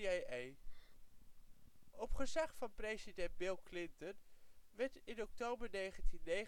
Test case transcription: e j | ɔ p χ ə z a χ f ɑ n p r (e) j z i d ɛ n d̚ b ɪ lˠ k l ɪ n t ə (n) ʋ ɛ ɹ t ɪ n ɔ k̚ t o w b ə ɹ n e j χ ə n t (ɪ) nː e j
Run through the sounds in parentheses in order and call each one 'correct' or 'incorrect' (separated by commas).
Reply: correct, correct, incorrect